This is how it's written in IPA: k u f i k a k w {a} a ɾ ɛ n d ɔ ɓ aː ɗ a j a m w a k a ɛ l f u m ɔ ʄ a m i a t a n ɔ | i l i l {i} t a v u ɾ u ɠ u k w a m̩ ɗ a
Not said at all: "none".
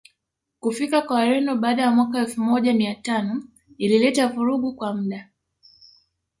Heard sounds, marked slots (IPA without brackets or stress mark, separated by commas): a, ɛ